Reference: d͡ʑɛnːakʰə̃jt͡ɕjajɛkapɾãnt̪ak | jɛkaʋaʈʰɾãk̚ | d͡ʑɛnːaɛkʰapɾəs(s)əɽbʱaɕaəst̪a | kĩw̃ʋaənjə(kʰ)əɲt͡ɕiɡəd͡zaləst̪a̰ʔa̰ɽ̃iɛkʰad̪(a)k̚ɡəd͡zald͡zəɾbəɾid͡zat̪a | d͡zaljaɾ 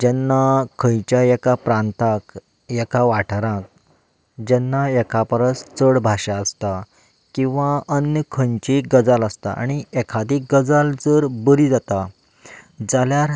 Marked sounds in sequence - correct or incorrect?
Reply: incorrect, correct, incorrect

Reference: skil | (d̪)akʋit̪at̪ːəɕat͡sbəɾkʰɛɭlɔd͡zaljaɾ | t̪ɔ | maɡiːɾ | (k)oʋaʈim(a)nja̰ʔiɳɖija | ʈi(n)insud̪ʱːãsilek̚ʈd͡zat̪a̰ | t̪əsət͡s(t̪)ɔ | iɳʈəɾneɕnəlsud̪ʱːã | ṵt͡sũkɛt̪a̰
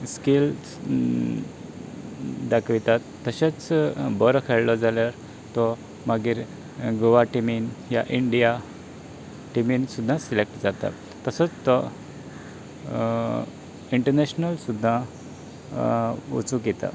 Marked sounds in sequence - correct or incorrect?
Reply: correct, incorrect, incorrect, incorrect, correct

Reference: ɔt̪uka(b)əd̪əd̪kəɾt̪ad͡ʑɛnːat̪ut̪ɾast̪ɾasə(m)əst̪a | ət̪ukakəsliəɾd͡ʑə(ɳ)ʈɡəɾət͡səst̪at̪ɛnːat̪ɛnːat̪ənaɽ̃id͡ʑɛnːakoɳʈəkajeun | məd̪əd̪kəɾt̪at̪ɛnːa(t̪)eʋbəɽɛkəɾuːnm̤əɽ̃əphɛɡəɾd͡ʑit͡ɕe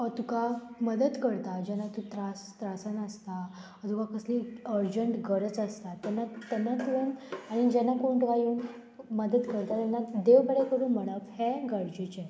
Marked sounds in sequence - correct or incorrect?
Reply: incorrect, incorrect, correct, incorrect

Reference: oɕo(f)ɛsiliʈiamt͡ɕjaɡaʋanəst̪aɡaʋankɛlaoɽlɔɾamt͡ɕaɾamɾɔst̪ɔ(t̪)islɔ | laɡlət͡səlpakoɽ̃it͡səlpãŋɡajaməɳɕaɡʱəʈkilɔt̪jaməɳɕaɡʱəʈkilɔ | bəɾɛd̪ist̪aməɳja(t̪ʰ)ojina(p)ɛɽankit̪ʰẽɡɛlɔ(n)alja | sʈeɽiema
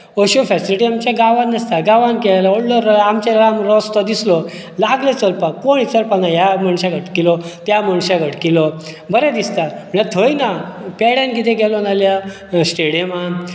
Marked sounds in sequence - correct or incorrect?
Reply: correct, incorrect, correct, correct, correct

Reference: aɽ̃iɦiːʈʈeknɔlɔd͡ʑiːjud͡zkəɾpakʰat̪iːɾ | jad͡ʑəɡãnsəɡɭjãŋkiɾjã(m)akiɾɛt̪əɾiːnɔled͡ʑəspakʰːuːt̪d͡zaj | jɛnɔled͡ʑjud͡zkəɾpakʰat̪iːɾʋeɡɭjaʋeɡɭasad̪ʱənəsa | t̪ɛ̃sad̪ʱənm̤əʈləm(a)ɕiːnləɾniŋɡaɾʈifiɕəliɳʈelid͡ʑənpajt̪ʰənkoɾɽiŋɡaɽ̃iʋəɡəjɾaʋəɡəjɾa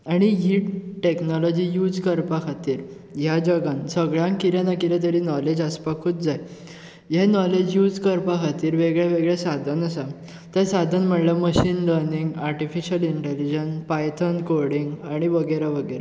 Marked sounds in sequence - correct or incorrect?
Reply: incorrect, incorrect

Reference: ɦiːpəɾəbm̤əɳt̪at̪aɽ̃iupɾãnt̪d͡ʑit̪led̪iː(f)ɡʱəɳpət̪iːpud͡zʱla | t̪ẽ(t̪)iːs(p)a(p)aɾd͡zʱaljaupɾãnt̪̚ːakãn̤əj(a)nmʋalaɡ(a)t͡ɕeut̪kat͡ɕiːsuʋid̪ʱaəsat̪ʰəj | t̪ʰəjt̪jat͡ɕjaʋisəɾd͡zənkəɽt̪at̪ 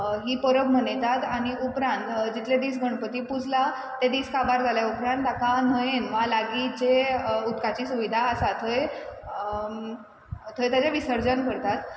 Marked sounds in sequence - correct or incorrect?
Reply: incorrect, incorrect, incorrect, incorrect, incorrect, incorrect

